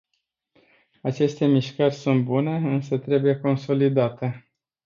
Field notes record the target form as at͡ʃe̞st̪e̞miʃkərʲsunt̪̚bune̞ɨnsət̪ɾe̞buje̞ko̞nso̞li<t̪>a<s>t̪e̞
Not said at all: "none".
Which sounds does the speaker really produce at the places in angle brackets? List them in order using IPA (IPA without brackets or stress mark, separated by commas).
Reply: d̪, none